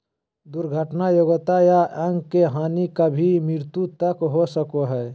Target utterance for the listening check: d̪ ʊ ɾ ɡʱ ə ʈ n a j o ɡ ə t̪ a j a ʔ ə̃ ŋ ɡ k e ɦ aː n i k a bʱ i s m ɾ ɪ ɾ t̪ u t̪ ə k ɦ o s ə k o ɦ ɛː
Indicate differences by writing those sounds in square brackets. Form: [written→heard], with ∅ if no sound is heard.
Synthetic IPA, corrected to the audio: d̪ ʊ ɾ ɡʱ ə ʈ n a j o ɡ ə t̪ a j a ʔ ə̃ ŋ ɡ k e ɦ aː n i k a bʱ i [s→∅] m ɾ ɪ ɾ t̪ u t̪ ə k ɦ o s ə k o ɦ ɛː